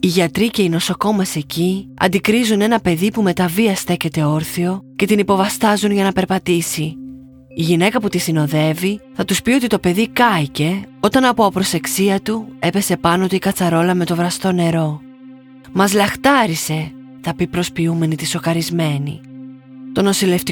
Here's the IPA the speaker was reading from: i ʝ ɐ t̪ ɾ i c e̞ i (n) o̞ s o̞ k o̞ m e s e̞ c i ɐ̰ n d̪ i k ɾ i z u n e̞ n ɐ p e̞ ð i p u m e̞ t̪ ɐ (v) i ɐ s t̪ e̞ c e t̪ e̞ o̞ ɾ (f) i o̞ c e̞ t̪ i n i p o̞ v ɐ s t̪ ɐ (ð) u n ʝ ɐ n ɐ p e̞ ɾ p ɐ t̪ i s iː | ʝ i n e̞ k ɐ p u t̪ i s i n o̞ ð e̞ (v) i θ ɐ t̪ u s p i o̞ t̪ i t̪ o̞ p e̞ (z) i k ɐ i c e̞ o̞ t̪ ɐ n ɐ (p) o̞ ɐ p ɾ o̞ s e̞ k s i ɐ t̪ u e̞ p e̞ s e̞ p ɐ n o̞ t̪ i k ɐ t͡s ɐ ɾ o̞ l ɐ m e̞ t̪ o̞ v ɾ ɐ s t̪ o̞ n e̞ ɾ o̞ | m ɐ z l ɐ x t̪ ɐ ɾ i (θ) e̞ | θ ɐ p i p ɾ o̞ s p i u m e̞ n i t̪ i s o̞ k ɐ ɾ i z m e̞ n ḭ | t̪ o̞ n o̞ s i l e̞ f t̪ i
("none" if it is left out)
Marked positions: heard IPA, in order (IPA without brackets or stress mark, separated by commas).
n, v, θ, z, v, ð, p, s